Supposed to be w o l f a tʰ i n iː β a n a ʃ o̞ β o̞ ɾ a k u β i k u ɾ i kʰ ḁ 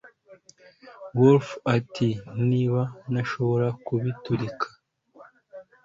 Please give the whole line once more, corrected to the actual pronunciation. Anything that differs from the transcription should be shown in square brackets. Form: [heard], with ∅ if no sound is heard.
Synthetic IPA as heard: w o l f a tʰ i n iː β a n a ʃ o̞ β o̞ ɾ a k u β i [t] u ɾ i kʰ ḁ